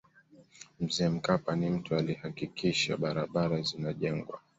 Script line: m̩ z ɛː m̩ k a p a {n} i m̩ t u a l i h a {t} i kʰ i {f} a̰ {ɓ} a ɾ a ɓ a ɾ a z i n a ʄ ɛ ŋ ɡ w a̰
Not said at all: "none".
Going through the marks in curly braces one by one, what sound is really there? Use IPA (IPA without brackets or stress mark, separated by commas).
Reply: n, k, ʃ, ɓ